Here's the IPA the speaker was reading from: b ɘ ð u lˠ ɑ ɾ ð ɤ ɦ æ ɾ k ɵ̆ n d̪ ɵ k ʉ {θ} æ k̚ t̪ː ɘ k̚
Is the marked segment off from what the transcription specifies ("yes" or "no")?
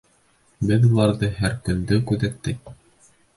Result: yes